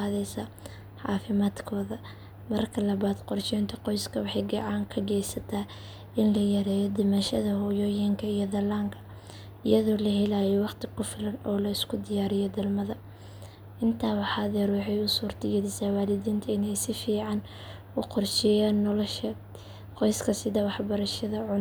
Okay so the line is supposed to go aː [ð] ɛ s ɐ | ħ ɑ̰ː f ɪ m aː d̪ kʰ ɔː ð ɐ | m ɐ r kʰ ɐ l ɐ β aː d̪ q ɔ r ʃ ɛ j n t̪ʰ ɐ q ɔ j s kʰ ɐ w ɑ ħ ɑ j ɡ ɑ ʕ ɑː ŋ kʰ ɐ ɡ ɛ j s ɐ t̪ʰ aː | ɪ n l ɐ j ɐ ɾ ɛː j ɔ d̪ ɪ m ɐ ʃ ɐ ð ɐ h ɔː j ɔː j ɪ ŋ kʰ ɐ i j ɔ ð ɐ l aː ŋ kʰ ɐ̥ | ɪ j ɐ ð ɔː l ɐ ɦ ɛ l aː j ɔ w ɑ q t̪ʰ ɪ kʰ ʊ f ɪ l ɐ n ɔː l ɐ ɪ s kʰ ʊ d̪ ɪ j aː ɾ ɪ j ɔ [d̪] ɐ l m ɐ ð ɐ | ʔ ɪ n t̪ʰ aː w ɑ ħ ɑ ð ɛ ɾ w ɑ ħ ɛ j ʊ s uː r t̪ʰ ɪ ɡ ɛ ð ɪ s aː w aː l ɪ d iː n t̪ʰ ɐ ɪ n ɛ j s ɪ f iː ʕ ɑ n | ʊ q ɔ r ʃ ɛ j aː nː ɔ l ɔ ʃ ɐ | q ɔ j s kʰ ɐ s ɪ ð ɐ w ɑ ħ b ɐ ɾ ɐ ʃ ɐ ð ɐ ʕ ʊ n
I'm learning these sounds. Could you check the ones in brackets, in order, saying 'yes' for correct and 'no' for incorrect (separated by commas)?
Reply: yes, yes